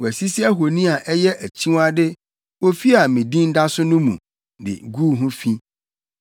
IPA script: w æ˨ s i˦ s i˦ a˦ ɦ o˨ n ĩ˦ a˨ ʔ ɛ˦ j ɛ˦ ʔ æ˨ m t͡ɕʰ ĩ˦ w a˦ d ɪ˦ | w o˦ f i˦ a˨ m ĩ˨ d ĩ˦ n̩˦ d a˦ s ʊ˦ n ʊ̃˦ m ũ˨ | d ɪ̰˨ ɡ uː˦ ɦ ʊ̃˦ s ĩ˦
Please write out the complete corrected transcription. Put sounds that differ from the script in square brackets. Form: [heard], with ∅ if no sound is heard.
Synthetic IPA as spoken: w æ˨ s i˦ s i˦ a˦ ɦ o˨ n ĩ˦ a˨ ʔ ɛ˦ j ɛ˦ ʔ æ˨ [∅] t͡ɕʰ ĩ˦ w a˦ d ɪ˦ | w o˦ f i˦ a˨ m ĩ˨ d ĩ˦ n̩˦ d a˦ s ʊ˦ n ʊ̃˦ m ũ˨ | d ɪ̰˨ ɡ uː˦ ɦ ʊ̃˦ [f] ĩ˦